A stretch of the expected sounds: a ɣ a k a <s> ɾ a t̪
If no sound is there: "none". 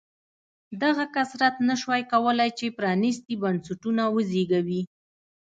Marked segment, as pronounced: s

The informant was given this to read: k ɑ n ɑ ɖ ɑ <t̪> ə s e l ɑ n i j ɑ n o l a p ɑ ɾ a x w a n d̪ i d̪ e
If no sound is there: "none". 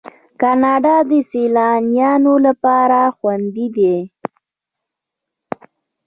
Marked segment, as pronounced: d̪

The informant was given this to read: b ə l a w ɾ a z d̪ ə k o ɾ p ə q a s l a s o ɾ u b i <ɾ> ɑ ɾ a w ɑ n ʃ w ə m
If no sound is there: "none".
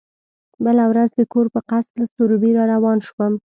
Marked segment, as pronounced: ɾ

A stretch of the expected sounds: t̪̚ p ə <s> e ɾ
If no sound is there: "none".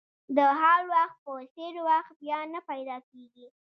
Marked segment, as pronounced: s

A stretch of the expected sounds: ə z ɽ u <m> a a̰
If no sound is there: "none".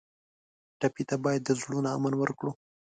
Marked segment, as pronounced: n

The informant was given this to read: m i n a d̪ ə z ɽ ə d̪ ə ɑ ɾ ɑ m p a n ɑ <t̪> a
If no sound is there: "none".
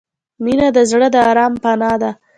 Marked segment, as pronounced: d̪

